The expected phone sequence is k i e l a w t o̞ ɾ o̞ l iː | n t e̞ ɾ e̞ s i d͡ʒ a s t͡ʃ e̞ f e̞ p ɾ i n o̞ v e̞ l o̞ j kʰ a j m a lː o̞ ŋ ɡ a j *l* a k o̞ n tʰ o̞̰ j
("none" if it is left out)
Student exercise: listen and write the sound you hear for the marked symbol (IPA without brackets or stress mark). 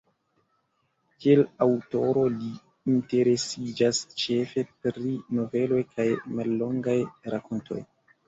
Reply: ɾ